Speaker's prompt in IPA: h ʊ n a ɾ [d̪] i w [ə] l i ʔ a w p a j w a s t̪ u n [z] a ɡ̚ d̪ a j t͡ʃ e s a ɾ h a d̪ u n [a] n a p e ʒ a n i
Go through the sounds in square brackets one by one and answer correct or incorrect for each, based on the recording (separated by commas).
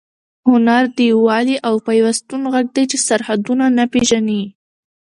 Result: correct, incorrect, incorrect, correct